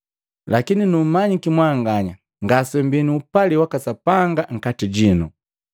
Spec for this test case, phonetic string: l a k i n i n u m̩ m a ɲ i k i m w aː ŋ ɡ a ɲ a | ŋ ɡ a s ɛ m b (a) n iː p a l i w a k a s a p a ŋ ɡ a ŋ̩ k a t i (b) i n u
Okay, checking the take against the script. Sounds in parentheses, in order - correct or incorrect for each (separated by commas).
incorrect, incorrect